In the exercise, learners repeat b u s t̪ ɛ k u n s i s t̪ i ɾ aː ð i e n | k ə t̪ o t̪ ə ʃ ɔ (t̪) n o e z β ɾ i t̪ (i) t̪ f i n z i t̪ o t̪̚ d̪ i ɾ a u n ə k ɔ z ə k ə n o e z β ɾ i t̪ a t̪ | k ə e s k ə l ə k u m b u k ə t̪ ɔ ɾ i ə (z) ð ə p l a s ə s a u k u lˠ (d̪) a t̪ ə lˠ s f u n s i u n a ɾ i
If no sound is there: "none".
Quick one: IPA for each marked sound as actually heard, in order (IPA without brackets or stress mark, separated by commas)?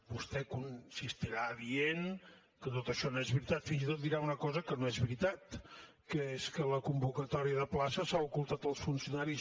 none, a, none, t̪